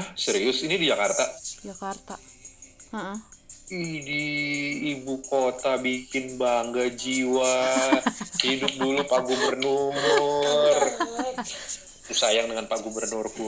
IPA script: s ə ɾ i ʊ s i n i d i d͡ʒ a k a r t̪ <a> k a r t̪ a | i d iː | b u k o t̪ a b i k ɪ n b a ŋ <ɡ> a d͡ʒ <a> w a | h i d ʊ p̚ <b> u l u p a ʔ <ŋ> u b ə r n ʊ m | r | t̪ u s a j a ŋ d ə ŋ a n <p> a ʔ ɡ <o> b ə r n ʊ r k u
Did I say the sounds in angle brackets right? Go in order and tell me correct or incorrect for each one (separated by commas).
correct, correct, incorrect, incorrect, incorrect, correct, incorrect